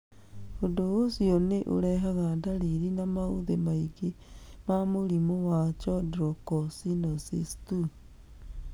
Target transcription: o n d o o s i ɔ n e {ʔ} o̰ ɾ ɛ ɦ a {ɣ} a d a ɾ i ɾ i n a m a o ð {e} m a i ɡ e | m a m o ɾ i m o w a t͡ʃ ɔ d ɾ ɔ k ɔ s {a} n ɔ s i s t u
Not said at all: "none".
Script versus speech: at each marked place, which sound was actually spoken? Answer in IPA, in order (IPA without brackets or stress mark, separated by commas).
ʔ, ɣ, e, i